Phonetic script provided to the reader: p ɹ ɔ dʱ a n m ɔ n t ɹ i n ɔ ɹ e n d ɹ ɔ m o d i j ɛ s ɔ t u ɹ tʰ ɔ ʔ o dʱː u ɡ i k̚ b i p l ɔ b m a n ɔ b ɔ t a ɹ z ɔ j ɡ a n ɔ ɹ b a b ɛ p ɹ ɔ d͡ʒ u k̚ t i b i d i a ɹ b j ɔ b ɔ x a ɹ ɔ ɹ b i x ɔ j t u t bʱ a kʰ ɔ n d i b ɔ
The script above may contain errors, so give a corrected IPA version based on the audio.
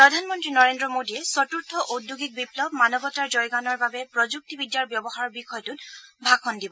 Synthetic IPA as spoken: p ɹ ɔ dʱ a n m ɔ n t ɹ i n ɔ ɹ e n d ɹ ɔ m o d i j ɛ s ɔ t u ɹ tʰ ɔ ʔ o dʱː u ɡ i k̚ b i p l ɔ b m a n ɔ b ɔ t a ɹ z ɔ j ɡ a n ɔ ɹ b a b ɛ p ɹ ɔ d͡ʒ u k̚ t i b i d j a ɹ b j ɔ b ɔ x a ɹ ɔ ɹ b i x ɔ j t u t bʱ a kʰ ɔ n d i b ɔ